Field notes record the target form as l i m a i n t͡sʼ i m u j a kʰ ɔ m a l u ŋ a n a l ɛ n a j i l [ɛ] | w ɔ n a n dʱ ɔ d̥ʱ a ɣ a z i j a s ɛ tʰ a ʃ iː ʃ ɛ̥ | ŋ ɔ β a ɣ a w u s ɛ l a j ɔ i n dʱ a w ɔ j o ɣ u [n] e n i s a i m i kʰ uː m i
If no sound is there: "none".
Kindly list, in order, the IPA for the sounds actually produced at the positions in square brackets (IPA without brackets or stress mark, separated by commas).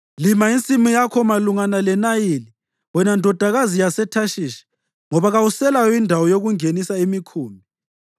i, ŋ